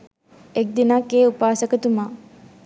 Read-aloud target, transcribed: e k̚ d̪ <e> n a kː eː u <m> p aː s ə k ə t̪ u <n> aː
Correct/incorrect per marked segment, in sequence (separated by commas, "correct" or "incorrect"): incorrect, incorrect, incorrect